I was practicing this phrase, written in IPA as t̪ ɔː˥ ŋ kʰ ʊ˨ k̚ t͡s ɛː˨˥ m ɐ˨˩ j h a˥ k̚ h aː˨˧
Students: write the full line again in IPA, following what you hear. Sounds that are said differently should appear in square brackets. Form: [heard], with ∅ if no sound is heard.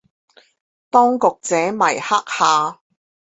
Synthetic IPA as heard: t̪ ɔː˥ ŋ [k] ʊ˨ k̚ t͡s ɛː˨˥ m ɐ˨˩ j h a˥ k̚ h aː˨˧